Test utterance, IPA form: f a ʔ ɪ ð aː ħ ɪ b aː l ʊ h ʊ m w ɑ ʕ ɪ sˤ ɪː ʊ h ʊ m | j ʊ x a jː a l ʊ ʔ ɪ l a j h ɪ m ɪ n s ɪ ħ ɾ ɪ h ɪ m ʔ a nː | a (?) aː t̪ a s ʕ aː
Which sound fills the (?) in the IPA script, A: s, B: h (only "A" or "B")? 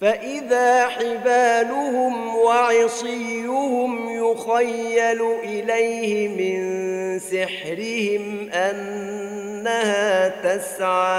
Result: B